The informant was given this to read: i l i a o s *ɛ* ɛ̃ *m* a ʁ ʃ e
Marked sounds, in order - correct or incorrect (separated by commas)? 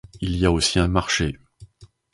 incorrect, correct